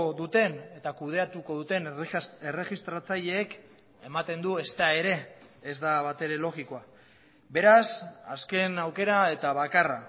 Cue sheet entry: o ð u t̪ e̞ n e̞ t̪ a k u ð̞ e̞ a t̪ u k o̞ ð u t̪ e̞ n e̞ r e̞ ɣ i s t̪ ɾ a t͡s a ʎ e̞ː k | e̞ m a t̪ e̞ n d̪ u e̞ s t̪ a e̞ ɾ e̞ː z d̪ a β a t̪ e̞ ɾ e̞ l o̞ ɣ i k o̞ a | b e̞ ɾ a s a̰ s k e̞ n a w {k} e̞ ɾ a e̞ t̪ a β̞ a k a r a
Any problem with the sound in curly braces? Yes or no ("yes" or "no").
no